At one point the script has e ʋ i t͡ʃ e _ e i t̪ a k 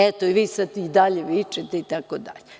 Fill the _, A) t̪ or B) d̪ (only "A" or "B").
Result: A